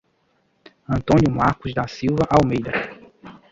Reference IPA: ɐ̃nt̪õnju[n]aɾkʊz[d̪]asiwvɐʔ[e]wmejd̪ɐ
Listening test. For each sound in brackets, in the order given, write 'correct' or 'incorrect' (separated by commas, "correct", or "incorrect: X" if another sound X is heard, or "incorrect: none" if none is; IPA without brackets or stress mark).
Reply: incorrect: m, correct, incorrect: a